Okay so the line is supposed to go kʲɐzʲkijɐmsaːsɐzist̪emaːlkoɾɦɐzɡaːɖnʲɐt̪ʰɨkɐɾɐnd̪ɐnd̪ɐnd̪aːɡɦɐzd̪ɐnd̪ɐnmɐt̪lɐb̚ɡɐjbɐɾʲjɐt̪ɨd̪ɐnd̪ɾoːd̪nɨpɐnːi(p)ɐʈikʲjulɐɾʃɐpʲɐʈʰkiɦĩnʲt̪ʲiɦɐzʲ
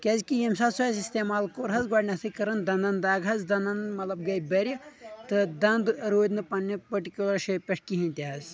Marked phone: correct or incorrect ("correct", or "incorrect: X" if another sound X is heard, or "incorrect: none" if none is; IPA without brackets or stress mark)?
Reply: correct